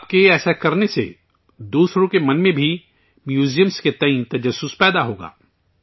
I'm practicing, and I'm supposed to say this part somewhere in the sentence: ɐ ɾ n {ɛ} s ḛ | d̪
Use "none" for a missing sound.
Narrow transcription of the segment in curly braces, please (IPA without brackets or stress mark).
e